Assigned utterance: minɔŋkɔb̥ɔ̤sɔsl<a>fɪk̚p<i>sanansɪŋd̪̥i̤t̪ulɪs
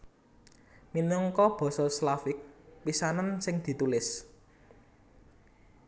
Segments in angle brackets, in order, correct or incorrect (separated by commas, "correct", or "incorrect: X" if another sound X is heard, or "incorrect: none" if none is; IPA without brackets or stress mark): correct, correct